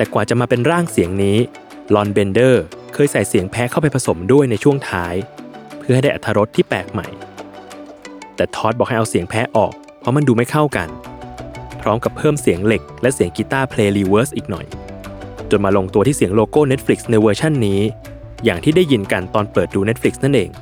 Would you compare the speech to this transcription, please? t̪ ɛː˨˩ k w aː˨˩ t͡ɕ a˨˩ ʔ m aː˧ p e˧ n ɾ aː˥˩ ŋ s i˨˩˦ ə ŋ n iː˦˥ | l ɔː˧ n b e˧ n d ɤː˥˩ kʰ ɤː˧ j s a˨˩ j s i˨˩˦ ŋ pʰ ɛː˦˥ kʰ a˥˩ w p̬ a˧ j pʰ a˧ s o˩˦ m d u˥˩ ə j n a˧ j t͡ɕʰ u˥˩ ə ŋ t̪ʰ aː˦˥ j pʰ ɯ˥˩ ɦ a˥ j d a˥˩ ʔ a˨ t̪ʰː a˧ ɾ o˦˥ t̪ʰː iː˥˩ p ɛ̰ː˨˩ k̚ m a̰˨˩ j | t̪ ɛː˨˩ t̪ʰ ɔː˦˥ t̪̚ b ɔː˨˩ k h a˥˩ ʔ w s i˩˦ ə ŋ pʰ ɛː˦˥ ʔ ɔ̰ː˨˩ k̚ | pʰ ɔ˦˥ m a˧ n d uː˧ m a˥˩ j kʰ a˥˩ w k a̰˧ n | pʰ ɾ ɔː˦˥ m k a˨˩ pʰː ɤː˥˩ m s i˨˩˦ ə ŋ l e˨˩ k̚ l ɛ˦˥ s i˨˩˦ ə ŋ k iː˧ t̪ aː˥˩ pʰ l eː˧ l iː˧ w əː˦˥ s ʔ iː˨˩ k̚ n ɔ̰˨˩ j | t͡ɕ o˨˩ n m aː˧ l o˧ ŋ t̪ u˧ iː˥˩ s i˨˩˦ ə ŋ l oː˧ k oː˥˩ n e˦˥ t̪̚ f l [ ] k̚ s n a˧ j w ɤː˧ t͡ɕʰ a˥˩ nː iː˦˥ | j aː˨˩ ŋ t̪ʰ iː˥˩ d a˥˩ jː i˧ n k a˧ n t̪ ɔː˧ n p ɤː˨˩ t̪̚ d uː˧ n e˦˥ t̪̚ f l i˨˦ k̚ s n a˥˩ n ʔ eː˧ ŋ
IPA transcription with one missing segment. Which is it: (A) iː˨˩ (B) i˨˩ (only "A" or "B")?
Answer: B